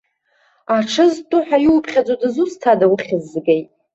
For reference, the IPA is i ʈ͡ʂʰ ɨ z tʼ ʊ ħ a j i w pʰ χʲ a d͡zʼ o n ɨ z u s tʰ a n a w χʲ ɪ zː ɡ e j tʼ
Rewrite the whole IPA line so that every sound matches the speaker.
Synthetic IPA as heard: a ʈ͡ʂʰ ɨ z tʼ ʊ ħ a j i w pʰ χʲ a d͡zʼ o d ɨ z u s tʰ a d a w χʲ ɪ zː ɡ e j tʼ